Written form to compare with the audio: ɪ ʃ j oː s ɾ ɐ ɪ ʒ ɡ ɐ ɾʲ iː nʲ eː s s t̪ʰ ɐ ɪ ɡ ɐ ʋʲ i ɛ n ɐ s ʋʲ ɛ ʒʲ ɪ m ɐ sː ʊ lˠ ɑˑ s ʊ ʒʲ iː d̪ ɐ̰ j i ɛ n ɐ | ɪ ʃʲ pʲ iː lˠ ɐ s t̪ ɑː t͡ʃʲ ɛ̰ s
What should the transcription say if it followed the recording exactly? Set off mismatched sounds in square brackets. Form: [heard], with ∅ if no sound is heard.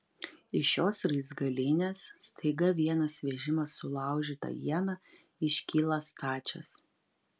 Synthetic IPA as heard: ɪ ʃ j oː s ɾ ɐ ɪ [z] ɡ ɐ [lʲ] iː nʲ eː s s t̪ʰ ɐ ɪ ɡ ɐ ʋʲ i ɛ n ɐ s ʋʲ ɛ ʒʲ ɪ m ɐ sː ʊ lˠ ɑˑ [∅] ʊ ʒʲ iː [t̪] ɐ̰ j i ɛ n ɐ | ɪ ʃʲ [kʲ] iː lˠ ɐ s t̪ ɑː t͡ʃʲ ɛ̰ s